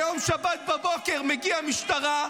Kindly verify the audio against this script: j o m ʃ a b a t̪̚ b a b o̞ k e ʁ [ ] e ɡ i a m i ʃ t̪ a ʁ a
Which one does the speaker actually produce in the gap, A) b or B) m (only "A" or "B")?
B